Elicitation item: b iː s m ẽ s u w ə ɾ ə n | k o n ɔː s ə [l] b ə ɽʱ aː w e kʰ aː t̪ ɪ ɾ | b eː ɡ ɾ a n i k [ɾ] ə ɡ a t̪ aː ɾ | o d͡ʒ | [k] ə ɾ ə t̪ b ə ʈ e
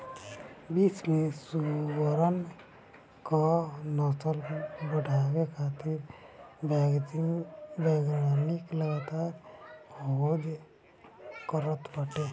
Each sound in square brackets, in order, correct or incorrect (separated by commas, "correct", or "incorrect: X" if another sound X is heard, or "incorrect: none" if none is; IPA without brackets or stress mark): correct, incorrect: l, correct